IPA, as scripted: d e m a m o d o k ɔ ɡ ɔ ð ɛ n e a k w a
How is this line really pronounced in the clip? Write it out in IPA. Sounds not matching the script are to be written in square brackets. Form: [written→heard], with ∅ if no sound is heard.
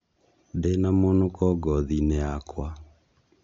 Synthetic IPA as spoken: d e [m→n] a m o [d→n] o k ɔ ɡ ɔ ð [ɛ→i] n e a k w a